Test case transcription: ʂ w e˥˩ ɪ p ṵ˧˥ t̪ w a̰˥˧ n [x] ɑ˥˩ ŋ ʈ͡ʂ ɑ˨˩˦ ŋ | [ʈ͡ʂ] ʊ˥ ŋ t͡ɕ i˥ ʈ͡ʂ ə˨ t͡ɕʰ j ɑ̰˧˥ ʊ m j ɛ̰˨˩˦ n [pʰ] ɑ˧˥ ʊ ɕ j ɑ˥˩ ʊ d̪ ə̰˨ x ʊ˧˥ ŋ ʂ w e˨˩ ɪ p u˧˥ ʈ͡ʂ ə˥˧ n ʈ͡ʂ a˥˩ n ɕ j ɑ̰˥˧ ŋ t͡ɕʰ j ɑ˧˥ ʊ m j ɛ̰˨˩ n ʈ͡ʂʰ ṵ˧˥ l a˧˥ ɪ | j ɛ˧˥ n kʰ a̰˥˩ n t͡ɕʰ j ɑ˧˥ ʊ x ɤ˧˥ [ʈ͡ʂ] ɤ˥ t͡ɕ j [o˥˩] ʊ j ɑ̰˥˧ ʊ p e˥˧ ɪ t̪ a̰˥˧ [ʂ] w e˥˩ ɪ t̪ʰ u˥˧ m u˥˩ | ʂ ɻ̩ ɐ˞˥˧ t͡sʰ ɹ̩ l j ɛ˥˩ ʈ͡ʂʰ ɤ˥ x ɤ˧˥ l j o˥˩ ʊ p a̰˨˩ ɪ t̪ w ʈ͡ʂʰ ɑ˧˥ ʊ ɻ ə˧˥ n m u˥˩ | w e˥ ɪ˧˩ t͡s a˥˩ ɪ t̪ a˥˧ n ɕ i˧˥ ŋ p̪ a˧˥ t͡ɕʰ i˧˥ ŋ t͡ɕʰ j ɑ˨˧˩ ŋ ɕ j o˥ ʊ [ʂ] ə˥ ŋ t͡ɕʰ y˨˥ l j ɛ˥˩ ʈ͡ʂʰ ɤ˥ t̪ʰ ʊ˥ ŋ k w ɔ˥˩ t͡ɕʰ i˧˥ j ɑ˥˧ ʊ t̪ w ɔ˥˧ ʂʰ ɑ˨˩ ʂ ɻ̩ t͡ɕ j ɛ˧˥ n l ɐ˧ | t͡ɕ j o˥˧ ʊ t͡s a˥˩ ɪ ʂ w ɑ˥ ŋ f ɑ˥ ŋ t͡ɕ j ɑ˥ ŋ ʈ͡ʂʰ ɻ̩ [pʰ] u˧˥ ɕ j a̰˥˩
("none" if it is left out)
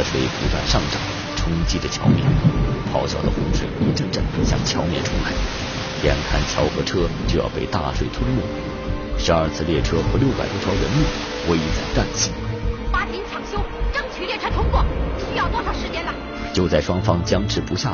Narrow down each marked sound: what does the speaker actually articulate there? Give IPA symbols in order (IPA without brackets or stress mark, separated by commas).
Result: ʂ, ʈ͡ʂʰ, pʰ, ʈ͡ʂʰ, o˥˧, ʂ, ʈ͡ʂ, p